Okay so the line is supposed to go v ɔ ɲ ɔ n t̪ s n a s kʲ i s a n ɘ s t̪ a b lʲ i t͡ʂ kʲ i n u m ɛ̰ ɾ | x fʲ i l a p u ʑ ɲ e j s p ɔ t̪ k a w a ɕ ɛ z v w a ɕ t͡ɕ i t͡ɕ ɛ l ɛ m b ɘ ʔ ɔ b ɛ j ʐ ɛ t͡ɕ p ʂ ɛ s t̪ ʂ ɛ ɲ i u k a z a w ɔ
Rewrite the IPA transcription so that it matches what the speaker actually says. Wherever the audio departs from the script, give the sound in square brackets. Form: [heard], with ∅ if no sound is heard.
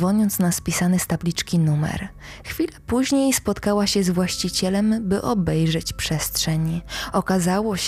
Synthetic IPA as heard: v ɔ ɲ ɔ n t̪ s n a s [pʲ] i s a n ɘ s t̪ a b lʲ i t͡ʂ kʲ i n u m ɛ̰ ɾ | x fʲ i l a p u ʑ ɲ e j s p ɔ t̪ k a w a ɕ ɛ z v w a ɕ t͡ɕ i t͡ɕ ɛ l ɛ m b ɘ ʔ ɔ b ɛ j ʐ ɛ t͡ɕ p ʂ ɛ s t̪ ʂ ɛ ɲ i [ɔ] k a z a w ɔ